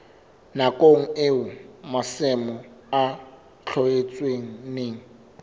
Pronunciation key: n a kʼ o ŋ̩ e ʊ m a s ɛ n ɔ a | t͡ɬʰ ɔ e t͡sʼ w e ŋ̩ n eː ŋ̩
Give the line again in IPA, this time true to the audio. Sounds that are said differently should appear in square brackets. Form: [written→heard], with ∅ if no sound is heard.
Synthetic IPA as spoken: n a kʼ o ŋ̩ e ʊ m a s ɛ [n→m] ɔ a | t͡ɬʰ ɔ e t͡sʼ w e ŋ̩ n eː ŋ̩

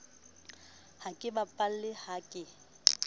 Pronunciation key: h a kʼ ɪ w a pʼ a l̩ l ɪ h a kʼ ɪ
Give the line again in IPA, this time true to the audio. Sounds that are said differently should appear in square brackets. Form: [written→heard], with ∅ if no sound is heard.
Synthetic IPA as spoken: h a kʼ ɪ [w→b] a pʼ a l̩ l ɪ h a kʼ ɪ

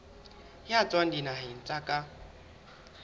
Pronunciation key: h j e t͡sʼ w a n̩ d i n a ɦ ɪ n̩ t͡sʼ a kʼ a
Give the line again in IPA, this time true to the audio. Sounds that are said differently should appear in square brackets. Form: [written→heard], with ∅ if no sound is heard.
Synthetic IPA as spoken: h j [e→a] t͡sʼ w a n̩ d i n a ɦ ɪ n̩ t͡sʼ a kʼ a

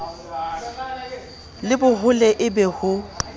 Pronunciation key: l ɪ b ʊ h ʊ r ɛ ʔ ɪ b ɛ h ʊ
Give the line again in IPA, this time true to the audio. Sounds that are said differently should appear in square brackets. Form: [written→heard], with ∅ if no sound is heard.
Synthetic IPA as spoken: l ɪ b ʊ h ʊ [r→l] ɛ ʔ ɪ b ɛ h ʊ

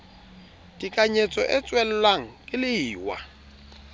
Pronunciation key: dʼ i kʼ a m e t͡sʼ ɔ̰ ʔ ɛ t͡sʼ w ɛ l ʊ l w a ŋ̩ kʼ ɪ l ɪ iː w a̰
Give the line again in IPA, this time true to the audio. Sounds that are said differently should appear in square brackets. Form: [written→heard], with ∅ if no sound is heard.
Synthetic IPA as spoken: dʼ i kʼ a [m→ɲ] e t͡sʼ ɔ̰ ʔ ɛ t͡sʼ w ɛ l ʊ l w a ŋ̩ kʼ ɪ l ɪ iː w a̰

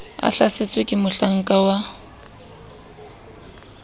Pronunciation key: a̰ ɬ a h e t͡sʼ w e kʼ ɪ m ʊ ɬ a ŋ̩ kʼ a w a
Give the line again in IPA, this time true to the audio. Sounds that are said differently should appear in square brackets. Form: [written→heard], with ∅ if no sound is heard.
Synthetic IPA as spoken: a̰ ɬ a [h→s] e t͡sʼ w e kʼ ɪ m ʊ ɬ a ŋ̩ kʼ a w a

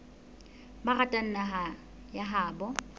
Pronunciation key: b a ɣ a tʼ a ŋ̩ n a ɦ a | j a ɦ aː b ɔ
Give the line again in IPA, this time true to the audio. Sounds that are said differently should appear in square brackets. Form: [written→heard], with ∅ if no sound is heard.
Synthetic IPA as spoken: b a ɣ a tʼ a [ŋ̩→n̩] n a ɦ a | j a ɦ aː b ɔ

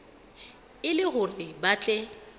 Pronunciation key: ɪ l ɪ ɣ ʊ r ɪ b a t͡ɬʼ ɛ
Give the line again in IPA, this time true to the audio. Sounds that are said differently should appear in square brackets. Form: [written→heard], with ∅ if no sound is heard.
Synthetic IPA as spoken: ɪ l ɪ ɣ ʊ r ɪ b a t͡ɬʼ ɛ

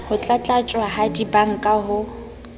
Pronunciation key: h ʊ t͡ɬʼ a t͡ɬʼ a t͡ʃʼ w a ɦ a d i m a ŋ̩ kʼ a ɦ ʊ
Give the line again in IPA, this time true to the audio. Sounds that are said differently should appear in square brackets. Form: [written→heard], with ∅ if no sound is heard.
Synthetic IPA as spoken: h ʊ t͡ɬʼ a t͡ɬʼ a t͡ʃʼ w a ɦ a d i [m→b] a ŋ̩ kʼ a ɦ ʊ

